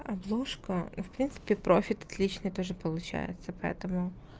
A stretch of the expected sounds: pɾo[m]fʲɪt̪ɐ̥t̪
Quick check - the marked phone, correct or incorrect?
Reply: incorrect